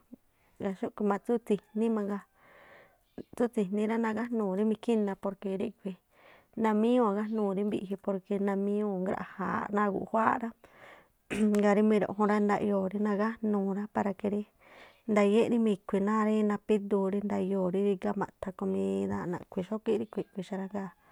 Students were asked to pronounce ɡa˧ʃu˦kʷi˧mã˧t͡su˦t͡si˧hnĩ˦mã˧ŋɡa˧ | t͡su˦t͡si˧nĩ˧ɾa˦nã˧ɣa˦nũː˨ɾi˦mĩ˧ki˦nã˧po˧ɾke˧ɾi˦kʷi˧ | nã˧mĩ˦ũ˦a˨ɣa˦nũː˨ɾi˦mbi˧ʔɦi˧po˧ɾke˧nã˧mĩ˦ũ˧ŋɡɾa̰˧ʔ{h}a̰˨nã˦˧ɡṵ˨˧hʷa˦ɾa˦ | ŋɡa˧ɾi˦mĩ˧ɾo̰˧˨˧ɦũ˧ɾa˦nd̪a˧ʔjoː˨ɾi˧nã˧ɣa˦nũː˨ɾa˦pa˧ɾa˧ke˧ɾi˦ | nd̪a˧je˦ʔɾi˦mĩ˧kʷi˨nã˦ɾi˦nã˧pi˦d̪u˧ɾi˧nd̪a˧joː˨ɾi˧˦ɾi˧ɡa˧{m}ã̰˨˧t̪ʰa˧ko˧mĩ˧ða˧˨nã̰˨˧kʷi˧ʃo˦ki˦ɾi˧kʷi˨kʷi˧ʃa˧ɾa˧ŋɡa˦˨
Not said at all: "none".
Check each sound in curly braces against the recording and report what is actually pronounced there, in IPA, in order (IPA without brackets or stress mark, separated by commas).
h, m